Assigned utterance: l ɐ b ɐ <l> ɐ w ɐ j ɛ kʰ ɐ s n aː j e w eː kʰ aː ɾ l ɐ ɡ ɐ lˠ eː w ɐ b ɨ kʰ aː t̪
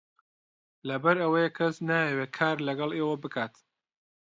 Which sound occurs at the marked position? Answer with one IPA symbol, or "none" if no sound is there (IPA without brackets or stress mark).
ɾ